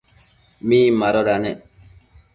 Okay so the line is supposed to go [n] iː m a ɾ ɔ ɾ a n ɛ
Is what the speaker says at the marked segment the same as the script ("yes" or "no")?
no